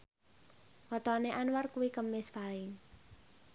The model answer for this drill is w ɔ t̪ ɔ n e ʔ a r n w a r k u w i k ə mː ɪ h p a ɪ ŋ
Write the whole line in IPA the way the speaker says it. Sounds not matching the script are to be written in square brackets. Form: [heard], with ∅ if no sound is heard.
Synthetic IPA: w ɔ t̪ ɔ n e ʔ a [∅] n w a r k u w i k ə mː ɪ [s] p a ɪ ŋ